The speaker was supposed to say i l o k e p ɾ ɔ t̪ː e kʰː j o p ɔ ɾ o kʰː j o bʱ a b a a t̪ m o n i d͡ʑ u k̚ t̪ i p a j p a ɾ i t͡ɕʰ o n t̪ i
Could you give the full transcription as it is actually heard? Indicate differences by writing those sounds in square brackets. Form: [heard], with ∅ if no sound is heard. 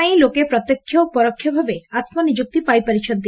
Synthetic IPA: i l o k e p ɾ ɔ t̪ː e kʰː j o p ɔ ɾ o kʰː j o bʱ a b [e] a t̪ m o n i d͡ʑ u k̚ t̪ i p a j p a ɾ i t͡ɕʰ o n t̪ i